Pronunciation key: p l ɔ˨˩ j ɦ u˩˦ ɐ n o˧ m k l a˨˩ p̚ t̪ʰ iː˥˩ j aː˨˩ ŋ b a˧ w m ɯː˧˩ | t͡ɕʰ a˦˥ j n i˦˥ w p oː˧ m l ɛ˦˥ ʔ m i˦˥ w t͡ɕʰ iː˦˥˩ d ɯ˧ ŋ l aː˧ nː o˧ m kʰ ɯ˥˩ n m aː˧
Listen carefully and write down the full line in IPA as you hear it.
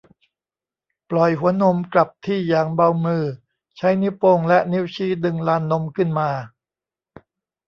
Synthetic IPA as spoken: p l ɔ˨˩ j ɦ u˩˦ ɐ n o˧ m k l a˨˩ p̚ t̪ʰ iː˥˩ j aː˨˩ ŋ b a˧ w m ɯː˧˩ | t͡ɕʰ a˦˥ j n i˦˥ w p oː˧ ŋ l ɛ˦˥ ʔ n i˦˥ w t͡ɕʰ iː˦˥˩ d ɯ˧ ŋ l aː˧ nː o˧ m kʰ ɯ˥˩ n m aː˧